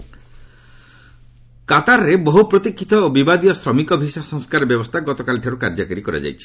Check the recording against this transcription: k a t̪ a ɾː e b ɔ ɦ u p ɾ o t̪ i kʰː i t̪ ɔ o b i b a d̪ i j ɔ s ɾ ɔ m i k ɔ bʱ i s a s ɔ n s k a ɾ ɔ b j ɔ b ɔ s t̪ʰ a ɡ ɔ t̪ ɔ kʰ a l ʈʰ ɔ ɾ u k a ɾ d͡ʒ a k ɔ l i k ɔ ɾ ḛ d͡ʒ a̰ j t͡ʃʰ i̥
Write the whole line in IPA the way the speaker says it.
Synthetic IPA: k a t̪ a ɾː e b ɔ ɦ u p ɾ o t̪ i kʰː i t̪ ɔ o b i b a d̪ i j ɔ s ɾ ɔ m i k ɔ bʱ i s a s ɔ ŋ s k a ɾ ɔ b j ɔ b ɔ s t̪ʰ a ɡ ɔ t̪ ɔ k a l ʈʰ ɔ ɾ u k a ɾ d͡ʒ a k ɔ ɾ i k ɔ ɾ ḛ d͡ʒ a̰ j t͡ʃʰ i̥